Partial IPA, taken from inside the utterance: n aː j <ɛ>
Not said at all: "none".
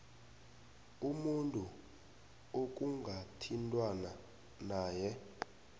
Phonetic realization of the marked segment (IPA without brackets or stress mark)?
ɛ